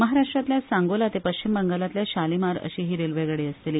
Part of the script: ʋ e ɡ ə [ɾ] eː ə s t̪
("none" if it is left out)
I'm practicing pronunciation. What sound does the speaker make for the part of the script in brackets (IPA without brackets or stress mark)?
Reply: ɽ